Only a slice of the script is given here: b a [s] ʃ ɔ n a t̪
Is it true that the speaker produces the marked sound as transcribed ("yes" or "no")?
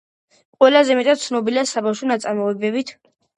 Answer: no